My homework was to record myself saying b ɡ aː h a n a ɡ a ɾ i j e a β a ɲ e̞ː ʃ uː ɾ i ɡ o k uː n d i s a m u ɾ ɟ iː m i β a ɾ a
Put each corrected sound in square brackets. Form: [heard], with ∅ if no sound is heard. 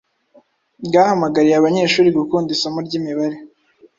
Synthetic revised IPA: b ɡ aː h a [m] a ɡ a ɾ i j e a β a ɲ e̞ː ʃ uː ɾ i ɡ [u] k uː n d i s a m u ɾ ɟ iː m i β a ɾ [e]